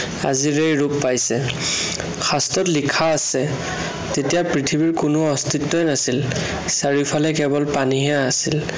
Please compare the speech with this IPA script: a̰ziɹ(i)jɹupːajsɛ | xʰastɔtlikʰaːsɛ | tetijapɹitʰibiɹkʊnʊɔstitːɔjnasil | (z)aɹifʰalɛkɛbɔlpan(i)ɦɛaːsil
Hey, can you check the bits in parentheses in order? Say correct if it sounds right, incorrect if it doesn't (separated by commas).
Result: incorrect, incorrect, correct